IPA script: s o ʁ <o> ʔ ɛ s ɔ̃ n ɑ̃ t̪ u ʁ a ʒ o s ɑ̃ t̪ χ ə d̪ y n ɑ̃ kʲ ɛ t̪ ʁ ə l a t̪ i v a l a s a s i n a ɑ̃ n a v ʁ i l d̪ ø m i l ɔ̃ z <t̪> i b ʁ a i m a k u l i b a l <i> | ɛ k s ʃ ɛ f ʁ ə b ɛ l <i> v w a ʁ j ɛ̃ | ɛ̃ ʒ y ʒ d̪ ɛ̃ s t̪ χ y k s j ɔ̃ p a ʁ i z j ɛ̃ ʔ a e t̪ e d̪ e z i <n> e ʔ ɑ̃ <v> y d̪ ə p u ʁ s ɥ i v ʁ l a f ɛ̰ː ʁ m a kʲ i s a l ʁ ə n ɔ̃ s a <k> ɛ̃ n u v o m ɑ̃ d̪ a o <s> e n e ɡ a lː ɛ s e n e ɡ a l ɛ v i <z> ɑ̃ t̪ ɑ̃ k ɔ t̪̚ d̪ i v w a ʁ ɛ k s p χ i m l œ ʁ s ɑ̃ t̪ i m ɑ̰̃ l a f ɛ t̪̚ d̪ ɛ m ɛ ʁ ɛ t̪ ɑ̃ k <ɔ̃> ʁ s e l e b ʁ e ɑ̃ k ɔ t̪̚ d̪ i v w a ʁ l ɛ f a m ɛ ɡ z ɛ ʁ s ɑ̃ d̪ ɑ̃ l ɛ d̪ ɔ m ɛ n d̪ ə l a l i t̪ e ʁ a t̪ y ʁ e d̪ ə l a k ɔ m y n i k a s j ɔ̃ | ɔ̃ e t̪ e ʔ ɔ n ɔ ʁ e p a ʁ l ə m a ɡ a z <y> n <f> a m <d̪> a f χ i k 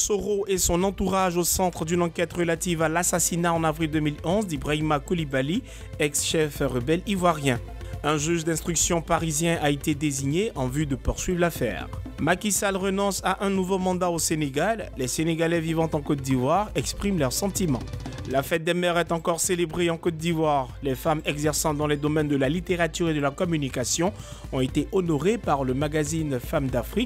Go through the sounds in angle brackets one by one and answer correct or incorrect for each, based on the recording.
correct, incorrect: d̪, correct, correct, incorrect: ɲ, correct, incorrect: ʔ, correct, incorrect: v, incorrect: ɔ, incorrect: i, correct, correct

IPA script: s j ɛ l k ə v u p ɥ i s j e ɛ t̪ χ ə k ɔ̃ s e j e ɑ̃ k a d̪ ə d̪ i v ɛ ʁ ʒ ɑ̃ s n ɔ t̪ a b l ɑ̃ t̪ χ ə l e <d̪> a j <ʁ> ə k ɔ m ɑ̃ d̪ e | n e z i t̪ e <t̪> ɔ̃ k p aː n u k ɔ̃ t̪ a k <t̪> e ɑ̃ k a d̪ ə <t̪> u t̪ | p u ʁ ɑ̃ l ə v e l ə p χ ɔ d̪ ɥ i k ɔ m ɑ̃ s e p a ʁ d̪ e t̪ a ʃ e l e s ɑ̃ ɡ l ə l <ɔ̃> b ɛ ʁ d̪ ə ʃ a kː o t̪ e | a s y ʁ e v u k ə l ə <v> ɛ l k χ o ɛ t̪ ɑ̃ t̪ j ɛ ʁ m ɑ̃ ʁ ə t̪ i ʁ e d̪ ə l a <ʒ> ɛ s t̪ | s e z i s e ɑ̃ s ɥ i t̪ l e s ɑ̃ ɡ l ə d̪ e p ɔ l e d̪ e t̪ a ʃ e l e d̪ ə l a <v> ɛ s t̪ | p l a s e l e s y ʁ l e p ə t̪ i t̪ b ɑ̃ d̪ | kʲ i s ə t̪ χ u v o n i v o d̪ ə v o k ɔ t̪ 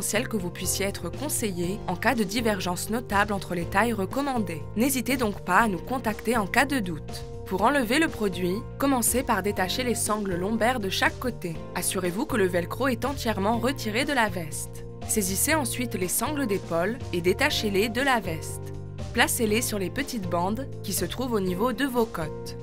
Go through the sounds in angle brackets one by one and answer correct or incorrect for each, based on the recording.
incorrect: t̪, correct, incorrect: d̪, correct, incorrect: d̪, correct, correct, incorrect: v, correct

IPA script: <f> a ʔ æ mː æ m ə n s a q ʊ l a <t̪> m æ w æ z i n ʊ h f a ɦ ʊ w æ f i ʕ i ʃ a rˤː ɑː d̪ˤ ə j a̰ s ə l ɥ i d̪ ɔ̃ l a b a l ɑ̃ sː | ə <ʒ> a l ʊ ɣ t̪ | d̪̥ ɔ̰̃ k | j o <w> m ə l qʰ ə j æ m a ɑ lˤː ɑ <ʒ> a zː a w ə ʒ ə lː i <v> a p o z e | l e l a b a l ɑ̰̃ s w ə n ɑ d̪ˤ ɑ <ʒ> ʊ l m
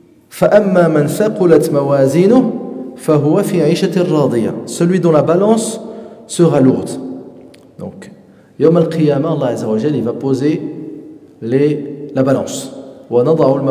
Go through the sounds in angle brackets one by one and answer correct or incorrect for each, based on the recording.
correct, correct, incorrect: ʁ, correct, incorrect: ʕ, correct, incorrect: ʕ

